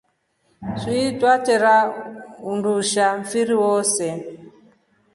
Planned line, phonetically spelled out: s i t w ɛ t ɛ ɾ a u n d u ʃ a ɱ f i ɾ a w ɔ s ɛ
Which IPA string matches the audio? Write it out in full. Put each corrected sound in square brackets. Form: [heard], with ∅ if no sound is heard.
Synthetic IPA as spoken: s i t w [a] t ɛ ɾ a u n d u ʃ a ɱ f i ɾ [i] w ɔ s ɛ